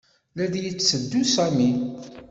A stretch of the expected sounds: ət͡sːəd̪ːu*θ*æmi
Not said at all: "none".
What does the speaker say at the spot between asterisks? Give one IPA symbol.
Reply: s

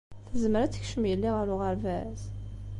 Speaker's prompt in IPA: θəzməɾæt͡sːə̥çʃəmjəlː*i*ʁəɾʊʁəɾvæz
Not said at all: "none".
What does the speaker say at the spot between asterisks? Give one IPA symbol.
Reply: i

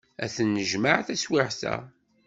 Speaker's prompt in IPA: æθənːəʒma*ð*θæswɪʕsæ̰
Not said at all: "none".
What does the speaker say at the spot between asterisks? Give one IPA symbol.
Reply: ʕ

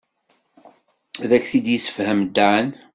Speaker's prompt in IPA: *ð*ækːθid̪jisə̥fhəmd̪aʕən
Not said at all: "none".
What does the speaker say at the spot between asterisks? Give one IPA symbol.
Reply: ð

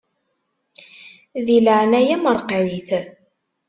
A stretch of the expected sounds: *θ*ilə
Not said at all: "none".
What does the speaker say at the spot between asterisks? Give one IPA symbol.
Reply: ð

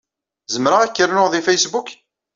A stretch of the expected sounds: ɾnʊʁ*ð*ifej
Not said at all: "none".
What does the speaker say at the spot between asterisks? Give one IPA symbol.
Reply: ð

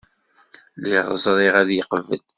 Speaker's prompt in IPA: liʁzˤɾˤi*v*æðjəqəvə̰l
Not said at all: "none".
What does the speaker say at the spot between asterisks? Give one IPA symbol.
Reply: ʁ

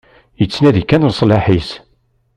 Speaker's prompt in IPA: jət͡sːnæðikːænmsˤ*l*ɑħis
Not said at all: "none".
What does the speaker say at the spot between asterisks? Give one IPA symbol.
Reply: l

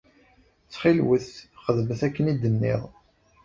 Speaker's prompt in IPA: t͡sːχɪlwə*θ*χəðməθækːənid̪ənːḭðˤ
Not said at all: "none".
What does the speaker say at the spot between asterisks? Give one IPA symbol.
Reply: θ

